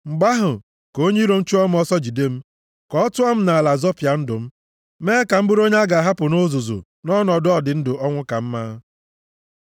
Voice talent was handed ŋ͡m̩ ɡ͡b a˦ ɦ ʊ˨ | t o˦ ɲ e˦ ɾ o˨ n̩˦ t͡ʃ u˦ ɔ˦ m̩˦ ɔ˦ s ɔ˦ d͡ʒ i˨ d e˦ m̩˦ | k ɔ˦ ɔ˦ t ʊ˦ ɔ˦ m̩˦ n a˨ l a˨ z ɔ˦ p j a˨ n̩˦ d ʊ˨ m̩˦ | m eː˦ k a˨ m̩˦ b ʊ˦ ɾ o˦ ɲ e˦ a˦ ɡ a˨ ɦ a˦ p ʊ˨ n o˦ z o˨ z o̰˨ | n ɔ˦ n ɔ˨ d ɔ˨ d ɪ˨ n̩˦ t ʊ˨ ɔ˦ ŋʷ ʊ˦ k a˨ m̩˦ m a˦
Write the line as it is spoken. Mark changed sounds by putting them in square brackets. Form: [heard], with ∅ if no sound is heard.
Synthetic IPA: ŋ͡m̩ ɡ͡b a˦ ɦ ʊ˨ | [k] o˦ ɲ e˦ ɾ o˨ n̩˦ t͡ʃ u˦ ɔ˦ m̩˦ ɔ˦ s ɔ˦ d͡ʒ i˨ d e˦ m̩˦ | k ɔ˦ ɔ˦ t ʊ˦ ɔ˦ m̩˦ n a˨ l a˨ z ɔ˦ p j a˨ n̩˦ d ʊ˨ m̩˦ | m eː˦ k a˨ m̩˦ b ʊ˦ ɾ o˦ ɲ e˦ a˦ ɡ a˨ ɦ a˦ p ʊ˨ n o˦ z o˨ z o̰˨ | n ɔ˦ n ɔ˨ d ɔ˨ d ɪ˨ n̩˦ [d] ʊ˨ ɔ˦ ŋʷ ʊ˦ k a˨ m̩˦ m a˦